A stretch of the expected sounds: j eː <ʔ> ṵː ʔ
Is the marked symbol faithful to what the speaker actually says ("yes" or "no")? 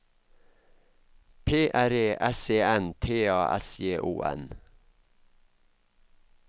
yes